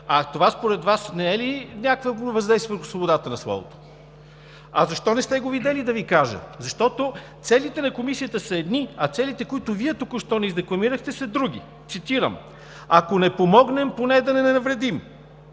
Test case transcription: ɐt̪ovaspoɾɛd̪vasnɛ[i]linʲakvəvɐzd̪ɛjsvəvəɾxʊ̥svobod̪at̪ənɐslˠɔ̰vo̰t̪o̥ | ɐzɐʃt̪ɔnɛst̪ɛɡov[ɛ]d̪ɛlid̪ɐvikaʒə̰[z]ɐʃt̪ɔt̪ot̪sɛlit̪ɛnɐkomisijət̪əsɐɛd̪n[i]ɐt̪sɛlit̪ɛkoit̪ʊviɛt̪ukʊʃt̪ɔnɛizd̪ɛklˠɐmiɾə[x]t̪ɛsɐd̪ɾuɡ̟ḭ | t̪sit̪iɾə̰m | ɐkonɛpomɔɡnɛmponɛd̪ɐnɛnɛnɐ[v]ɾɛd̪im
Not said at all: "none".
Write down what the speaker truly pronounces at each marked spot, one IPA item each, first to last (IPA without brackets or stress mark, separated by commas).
ɛ, i, z, i, x, v